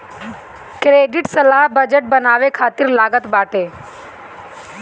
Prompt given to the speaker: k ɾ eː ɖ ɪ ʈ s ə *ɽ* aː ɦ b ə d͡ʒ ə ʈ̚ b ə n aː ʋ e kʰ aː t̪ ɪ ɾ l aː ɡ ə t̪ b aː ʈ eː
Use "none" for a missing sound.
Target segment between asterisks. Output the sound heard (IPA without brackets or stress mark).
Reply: l